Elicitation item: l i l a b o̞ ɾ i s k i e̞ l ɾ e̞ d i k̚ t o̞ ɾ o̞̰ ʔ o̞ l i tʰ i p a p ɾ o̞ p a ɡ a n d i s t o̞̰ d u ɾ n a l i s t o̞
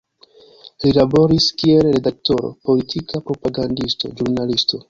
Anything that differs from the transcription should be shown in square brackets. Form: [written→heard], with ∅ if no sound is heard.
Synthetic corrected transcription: l i l a b o̞ ɾ i s k i e̞ l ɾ e̞ d [i→a] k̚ t o̞ ɾ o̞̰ [ʔ→p] o̞ l i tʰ i [p→k] a p ɾ o̞ p a ɡ a n d i s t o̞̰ [d→d͡ʒ] u ɾ n a l i s t o̞

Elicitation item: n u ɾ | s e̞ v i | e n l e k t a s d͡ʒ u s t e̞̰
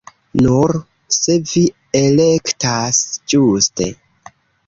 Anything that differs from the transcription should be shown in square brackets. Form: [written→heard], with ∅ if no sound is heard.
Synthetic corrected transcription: n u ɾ | s e̞ v i | e [n→∅] l e k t a s d͡ʒ u s t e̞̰

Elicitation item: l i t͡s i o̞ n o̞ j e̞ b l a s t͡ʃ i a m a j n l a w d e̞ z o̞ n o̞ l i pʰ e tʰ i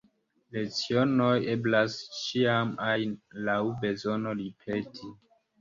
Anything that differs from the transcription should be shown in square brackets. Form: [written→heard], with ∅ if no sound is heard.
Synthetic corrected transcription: l [i→e] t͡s i o̞ n o̞ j e̞ b l a s t͡ʃ i a m a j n l a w [d→b] e̞ z o̞ n o̞ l i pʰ e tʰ i

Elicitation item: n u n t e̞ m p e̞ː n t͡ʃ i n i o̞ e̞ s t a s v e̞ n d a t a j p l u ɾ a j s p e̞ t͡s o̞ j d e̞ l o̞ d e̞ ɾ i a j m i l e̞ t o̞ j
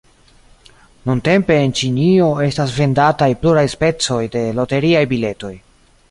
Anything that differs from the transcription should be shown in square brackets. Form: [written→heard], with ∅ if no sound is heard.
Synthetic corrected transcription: n u n t e̞ m p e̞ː n t͡ʃ i n i o̞ e̞ s t a s v e̞ n d a t a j p l u ɾ a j s p e̞ t͡s o̞ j d e̞ l o̞ [d→t] e̞ ɾ i a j [m→b] i l e̞ t o̞ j

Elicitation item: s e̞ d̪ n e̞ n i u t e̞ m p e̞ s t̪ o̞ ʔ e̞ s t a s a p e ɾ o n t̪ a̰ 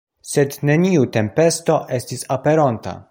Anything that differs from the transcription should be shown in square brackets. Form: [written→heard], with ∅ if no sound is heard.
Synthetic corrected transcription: s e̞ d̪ n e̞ n i u t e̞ m p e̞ s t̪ o̞ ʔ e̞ s t [a→i] s a p e ɾ o n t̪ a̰

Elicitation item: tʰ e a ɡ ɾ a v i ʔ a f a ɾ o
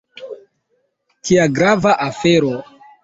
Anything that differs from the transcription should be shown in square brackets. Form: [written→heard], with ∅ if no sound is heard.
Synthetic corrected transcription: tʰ [e→i] a ɡ ɾ a v [i→a] ʔ a f [a→e] ɾ o

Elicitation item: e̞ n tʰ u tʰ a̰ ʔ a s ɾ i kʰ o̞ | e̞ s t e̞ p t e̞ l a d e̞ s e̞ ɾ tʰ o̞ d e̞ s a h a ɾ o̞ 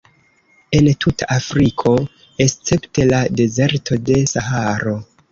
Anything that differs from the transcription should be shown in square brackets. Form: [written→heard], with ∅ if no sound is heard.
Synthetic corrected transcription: e̞ n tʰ u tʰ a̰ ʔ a [s→f] ɾ i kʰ o̞ | e̞ s [t→t͡s] e̞ p t e̞ l a d e̞ [s→z] e̞ ɾ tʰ o̞ d e̞ s a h a ɾ o̞

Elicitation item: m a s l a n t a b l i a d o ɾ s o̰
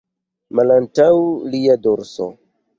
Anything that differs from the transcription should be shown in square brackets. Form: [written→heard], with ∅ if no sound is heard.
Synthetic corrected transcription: m a [s→∅] l a n t a [b→w] l i a d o ɾ s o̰

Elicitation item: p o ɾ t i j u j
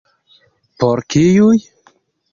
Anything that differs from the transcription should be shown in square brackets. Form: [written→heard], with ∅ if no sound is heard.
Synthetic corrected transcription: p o ɾ [t→k] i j u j

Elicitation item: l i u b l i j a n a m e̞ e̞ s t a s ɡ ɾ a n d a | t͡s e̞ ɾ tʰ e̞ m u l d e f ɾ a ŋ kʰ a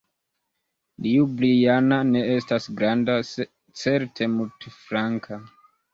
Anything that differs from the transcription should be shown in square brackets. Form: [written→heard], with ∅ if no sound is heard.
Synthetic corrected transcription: l i u b l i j a n a [m→n] e̞ e̞ s t a s ɡ ɾ a n d a | t͡s e̞ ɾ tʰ e̞ m u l [d→t] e f ɾ a ŋ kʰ a

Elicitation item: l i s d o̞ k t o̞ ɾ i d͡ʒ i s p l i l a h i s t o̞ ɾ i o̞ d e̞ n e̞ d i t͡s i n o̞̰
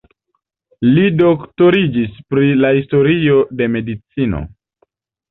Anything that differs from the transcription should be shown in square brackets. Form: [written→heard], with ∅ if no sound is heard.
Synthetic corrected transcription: l i [s→∅] d o̞ k t o̞ ɾ i d͡ʒ i s p [l→ɾ] i l a h i s t o̞ ɾ i o̞ d e̞ [n→m] e̞ d i t͡s i n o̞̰

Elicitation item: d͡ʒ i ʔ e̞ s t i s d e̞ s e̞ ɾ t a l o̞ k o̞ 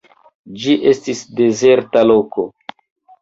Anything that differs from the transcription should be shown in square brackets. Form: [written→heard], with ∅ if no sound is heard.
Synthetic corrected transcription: d͡ʒ i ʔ e̞ s t i s d e̞ [s→z] e̞ ɾ t a l o̞ k o̞

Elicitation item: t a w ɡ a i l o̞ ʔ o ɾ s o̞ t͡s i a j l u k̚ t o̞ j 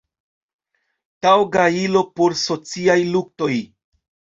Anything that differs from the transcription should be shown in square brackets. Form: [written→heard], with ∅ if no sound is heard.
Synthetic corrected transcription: t a w ɡ a i l o̞ [ʔ→p] o ɾ s o̞ t͡s i a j l u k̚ t o̞ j

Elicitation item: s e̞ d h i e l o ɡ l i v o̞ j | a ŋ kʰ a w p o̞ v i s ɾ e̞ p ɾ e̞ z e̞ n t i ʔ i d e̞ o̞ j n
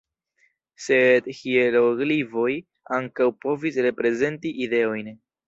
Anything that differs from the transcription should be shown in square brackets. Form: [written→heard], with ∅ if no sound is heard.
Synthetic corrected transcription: s e̞ d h i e l o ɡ l i v o̞ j | a ŋ [kʰ→k] a w p o̞ v i s ɾ e̞ p ɾ e̞ z e̞ n t i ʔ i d e̞ o̞ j n

